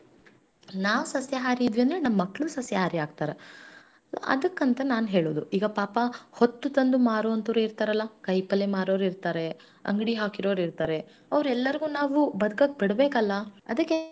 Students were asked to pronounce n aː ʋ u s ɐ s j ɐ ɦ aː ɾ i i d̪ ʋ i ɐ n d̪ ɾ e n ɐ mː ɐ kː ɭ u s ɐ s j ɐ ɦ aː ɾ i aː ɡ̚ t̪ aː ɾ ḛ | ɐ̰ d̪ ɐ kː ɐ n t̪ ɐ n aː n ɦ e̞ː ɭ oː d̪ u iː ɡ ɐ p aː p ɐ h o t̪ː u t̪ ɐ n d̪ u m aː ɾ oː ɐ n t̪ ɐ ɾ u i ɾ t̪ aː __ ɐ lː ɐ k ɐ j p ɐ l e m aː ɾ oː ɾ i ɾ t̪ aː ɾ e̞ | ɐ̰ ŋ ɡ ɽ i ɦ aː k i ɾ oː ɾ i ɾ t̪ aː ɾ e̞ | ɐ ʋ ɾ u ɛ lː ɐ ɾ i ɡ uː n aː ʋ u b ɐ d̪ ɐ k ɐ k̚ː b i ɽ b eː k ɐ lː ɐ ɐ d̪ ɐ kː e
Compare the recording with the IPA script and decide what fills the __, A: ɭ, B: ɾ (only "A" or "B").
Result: B